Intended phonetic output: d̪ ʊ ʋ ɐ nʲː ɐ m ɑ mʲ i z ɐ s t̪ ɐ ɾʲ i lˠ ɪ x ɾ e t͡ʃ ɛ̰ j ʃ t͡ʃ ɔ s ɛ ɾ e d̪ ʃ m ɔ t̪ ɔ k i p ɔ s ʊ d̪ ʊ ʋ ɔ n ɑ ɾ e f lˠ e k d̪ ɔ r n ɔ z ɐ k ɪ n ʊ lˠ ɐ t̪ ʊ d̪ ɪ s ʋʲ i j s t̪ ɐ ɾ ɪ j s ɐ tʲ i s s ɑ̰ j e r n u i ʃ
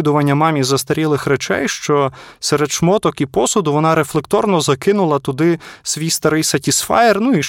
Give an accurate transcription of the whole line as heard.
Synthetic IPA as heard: d̪ ʊ ʋ ɐ nʲː ɐ m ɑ mʲ i z ɐ s t̪ ɐ ɾʲ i lˠ ɪ x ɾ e t͡ʃ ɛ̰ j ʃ t͡ʃ ɔ s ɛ ɾ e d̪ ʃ m ɔ t̪ ɔ k i p ɔ s ʊ d̪ ʊ ʋ ɔ n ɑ ɾ e f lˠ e k t̪ ɔ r n ɔ z ɐ k ɪ n ʊ lˠ ɐ t̪ ʊ d̪ ɪ s ʋʲ i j s t̪ ɐ ɾ ɪ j s ɐ tʲ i s f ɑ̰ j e r n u i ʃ